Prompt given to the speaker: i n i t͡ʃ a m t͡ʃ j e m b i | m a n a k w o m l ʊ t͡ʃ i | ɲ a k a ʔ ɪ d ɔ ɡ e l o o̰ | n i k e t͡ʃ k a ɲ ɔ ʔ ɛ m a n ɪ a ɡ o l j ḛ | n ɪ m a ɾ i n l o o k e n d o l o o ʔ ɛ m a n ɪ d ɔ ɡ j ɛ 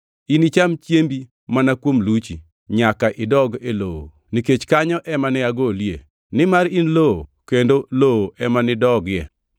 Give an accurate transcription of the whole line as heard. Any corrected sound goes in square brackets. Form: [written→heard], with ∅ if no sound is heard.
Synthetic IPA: i n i t͡ʃ a m t͡ʃ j e m b i | m a n a k w o m l [ʊ→u] t͡ʃ i | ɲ a k a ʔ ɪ d ɔ ɡ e l o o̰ | n i k e t͡ʃ k a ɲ ɔ ʔ ɛ m a n ɪ a ɡ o l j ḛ | n ɪ m a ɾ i n l o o k e n d o l o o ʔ ɛ m a n ɪ d ɔ ɡ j ɛ